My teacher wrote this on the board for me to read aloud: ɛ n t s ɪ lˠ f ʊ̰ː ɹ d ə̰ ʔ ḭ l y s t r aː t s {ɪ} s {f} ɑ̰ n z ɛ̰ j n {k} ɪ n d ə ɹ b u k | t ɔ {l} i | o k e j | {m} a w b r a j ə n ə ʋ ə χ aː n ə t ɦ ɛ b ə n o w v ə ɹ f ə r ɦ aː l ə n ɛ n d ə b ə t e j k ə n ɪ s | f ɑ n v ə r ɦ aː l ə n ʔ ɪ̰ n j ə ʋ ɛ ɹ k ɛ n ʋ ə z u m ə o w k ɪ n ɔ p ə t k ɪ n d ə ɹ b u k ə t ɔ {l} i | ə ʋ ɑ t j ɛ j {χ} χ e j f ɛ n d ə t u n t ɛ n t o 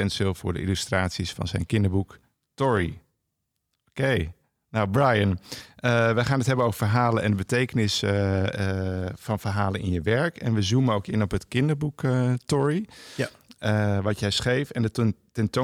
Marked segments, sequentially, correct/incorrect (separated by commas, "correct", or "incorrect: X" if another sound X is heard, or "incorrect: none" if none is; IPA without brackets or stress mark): incorrect: i, correct, correct, incorrect: ɹ, incorrect: n, incorrect: ɹ, incorrect: s